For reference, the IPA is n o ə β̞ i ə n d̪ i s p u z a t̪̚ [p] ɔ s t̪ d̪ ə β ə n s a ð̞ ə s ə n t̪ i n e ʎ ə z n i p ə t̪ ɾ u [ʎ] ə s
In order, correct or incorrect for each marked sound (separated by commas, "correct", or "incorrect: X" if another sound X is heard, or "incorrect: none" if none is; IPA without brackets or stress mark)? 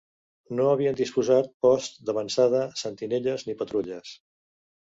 correct, correct